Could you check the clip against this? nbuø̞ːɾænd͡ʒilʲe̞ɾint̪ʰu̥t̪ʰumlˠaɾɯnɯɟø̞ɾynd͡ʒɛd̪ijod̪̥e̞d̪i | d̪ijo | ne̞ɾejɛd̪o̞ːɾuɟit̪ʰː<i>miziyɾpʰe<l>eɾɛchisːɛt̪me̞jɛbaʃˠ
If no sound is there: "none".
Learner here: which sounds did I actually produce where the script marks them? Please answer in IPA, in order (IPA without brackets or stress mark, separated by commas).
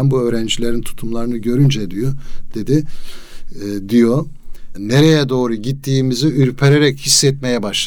iː, ɾ